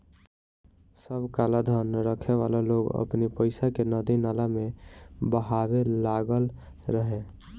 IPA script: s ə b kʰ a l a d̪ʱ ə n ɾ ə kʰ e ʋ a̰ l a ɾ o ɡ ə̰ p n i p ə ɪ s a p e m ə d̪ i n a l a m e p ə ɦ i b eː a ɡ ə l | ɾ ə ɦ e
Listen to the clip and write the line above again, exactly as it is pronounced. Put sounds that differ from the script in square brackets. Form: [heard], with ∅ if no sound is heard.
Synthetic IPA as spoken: s ə b [k] a l a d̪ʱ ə n ɾ ə kʰ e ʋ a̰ l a [l] o ɡ ə̰ p n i p ə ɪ s a [k] e [n] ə d̪ i n a l a m e [b] ə ɦ [a] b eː a ɡ ə l | ɾ ə ɦ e